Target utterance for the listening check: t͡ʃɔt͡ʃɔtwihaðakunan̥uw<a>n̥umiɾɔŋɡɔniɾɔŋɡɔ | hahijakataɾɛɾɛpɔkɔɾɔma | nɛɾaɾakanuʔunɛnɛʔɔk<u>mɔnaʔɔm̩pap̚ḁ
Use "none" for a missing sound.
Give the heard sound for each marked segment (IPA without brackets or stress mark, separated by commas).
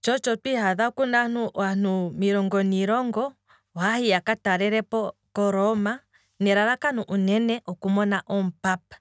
a, u